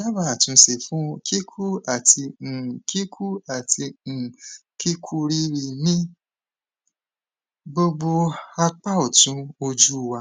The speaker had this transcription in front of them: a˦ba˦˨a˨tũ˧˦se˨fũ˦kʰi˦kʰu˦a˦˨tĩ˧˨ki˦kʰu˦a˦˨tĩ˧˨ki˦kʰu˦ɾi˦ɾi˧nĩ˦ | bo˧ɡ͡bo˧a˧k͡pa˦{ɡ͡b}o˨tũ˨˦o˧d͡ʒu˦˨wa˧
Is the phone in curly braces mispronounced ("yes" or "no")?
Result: yes